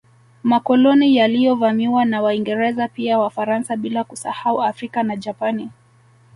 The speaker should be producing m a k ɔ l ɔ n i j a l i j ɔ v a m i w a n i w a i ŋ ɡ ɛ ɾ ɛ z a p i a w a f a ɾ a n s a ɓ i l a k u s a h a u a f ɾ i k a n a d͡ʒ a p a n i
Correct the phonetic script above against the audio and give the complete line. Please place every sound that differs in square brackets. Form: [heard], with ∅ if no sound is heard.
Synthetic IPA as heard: m a k ɔ l ɔ n i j a l i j ɔ v a m i w a n [a] w a i ŋ ɡ ɛ ɾ ɛ z a p i a w a f a ɾ a n s a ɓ i l a k u s a h a u a f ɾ i k a n a d͡ʒ a p a n i